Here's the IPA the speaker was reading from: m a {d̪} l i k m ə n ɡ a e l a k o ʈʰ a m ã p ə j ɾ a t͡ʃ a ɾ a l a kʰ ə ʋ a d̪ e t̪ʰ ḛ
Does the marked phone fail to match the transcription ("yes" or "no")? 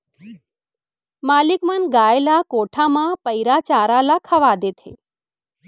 yes